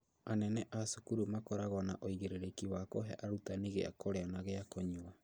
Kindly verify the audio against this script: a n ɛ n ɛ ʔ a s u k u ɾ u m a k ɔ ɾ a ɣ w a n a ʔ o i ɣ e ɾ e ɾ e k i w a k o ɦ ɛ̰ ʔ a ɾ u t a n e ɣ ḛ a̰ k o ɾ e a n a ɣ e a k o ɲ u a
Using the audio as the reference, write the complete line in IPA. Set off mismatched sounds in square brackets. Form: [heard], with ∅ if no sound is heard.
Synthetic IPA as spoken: a n ɛ n ɛ ʔ a s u k u ɾ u m a k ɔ ɾ a ɣ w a n a ʔ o i ɣ e ɾ e ɾ e k i w a k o ɦ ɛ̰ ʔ a ɾ u t a n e ɣ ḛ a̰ k o ɾ e a n a ɣ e a k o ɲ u a